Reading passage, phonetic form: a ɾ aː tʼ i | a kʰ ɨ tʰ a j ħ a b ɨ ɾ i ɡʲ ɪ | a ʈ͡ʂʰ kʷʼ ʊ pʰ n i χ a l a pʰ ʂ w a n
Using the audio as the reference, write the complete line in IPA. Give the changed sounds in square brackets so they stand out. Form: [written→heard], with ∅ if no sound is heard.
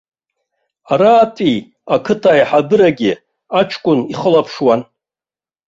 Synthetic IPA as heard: a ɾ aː tʼ i | a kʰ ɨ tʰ a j ħ a b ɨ ɾ [i→a] ɡʲ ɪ | a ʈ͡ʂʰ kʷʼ ʊ [pʰ→∅] n i χ [a→ə] l a pʰ ʂ w a n